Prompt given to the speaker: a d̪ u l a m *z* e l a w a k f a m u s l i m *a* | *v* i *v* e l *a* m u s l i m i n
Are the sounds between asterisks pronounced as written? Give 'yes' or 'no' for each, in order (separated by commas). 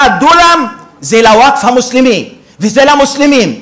yes, no, yes, no, yes